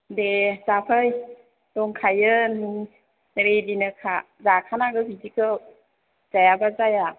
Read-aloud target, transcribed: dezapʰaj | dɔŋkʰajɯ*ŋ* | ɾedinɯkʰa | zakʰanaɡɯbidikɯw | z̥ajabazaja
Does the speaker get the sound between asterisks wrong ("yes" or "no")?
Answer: yes